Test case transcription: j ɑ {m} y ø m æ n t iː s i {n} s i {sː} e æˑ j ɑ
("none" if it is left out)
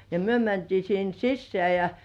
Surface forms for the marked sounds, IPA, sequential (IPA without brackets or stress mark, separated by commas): m, n, sː